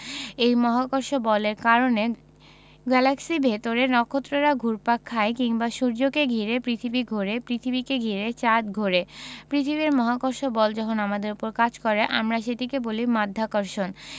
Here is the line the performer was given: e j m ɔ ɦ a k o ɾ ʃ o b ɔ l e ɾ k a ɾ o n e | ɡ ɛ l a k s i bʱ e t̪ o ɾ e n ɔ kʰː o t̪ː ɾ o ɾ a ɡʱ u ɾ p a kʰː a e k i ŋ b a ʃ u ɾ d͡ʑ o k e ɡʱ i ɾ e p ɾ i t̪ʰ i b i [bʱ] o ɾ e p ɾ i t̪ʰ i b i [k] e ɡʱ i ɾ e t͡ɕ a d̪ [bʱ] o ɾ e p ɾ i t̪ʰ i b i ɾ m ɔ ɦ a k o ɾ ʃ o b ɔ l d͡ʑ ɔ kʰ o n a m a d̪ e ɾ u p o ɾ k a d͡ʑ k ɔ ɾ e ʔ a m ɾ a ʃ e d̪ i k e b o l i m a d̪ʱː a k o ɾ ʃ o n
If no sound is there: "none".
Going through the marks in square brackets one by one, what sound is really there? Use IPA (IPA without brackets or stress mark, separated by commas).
ɡʱ, k, ɡʱ